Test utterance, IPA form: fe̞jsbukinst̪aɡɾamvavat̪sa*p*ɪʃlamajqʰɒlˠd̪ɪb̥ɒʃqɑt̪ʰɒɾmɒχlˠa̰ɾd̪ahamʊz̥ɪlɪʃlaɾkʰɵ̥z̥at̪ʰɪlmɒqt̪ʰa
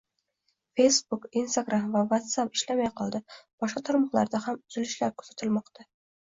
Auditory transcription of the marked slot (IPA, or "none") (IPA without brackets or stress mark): p